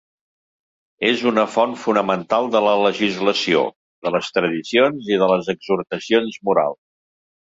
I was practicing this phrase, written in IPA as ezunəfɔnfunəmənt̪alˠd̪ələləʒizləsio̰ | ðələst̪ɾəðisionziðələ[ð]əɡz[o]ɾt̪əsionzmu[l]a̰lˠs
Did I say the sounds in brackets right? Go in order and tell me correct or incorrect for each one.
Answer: incorrect, incorrect, incorrect

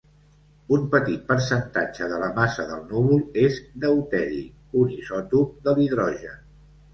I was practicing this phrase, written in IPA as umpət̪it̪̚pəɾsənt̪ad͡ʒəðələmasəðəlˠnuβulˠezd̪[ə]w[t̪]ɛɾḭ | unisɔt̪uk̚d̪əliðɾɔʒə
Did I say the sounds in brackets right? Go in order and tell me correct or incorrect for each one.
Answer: correct, correct

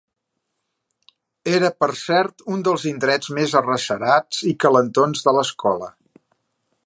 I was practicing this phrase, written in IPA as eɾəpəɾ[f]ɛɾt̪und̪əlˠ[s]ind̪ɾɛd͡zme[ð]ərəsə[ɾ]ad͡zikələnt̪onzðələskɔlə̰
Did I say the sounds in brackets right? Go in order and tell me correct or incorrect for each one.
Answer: incorrect, incorrect, incorrect, correct

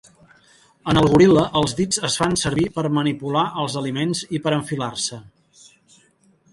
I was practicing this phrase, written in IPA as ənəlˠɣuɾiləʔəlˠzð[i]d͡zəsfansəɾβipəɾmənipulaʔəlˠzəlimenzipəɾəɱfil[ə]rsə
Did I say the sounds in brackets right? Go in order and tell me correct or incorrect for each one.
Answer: correct, incorrect

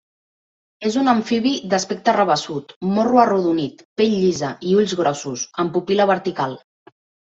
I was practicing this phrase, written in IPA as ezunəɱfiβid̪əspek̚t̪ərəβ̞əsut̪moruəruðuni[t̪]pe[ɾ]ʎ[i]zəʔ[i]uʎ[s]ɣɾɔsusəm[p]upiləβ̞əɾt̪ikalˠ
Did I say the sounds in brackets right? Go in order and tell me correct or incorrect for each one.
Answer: correct, incorrect, correct, correct, incorrect, correct

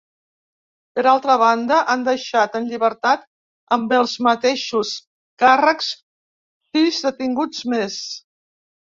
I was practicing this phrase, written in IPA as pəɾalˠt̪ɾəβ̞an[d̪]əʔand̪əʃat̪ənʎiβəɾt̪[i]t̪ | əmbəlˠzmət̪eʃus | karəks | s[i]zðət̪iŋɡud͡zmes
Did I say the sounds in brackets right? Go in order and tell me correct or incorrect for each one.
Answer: correct, incorrect, correct

